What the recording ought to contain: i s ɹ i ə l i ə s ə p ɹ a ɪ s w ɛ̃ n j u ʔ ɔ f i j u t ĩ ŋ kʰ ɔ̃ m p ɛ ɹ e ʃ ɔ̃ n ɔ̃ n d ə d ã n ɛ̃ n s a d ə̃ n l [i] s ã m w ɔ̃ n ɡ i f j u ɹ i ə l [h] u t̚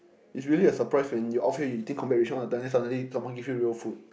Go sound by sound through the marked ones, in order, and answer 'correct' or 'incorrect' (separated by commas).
correct, incorrect